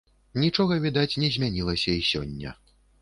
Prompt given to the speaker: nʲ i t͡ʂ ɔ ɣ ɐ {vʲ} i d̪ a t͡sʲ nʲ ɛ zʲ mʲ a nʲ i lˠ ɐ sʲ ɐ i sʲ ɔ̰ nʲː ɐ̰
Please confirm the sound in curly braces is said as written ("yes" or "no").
yes